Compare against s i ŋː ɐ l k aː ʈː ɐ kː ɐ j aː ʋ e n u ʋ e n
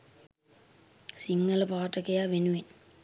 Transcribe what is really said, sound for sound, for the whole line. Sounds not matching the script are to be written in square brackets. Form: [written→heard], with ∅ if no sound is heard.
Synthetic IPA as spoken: s i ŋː ɐ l [k→p] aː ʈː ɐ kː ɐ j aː ʋ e n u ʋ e n